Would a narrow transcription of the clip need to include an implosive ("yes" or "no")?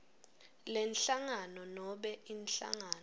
yes